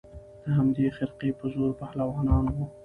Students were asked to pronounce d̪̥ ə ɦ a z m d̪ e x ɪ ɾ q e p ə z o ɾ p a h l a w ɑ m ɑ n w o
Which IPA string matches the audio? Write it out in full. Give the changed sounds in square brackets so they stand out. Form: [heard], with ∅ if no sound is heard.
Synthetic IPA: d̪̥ ə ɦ a [∅] m d̪ e x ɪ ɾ q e p ə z o ɾ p a h l a w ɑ [n] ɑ n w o